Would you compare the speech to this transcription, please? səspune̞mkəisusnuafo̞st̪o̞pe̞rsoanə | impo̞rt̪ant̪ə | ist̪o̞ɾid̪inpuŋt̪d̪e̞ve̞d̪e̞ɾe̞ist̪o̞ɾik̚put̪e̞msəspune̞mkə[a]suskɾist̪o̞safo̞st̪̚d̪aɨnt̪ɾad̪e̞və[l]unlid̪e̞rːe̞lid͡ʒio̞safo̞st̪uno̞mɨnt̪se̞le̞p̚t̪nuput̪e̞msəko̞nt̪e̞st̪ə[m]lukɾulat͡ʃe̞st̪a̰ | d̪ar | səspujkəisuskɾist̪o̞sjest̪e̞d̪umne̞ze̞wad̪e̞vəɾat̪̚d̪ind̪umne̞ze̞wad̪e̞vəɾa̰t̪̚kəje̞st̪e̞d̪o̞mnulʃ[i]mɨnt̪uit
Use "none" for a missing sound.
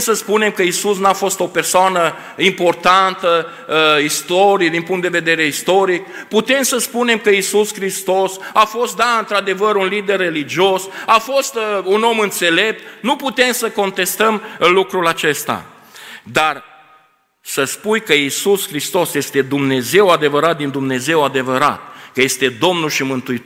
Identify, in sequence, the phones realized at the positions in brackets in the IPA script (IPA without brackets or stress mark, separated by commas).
i, ɾ, m, i